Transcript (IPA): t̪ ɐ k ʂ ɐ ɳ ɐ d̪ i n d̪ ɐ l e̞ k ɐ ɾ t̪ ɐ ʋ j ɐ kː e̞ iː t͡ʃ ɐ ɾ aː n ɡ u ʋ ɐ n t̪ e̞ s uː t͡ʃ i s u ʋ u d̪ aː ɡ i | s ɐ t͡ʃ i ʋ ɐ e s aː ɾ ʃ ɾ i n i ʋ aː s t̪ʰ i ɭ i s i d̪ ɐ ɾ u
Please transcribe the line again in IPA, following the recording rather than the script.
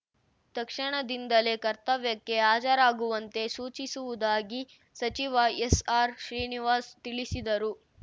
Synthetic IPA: t̪ ɐ k ʂ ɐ ɳ ɐ d̪ i n d̪ ɐ l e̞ k ɐ ɾ t̪ ɐ ʋ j ɐ kː e̞ aː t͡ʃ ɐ ɾ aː ɡ u ʋ ɐ n t̪ e̞ s uː t͡ʃ i s u ʋ u d̪ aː ɡ i | s ɐ t͡ʃ i ʋ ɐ e s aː ɾ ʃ ɾ iː n i ʋ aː s t̪ i ɭ i s i d̪ ɐ ɾ u